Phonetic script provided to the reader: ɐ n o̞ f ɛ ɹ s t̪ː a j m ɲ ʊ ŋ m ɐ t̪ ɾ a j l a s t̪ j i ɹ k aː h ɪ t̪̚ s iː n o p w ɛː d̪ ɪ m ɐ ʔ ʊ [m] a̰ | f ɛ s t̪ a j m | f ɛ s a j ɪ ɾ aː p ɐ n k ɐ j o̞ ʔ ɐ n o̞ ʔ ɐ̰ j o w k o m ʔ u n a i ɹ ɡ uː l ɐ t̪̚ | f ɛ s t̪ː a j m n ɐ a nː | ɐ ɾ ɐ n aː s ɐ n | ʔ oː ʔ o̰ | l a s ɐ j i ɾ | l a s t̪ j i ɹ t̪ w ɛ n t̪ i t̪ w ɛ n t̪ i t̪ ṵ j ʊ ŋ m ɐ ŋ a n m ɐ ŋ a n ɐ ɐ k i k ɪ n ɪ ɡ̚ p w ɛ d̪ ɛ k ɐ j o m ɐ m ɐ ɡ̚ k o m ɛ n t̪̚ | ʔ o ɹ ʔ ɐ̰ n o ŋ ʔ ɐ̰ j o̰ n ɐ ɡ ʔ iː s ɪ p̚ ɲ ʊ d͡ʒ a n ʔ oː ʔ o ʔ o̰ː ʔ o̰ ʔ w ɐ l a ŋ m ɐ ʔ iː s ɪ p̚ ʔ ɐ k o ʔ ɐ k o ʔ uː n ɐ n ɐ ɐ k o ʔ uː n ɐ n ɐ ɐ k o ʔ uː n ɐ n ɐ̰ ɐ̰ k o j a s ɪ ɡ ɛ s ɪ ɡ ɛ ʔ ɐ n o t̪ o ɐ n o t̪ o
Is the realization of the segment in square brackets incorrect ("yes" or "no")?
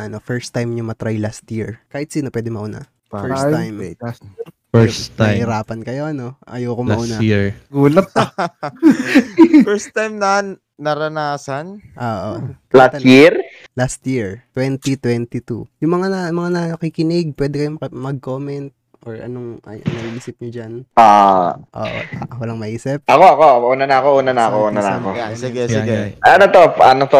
yes